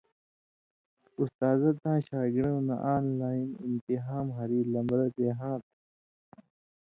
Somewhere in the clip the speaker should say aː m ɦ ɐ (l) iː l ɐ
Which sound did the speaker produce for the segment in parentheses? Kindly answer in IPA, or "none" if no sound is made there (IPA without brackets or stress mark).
ɾ